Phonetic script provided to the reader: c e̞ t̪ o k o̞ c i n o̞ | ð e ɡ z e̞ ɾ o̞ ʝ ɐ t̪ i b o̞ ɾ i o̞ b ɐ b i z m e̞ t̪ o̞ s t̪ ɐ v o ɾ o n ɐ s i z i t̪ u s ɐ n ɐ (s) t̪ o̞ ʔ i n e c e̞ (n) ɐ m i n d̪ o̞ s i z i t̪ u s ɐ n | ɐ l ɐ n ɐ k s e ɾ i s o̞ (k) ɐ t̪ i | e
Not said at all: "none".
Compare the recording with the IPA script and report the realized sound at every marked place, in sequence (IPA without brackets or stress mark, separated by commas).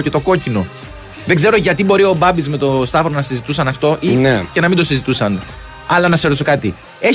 f, n, k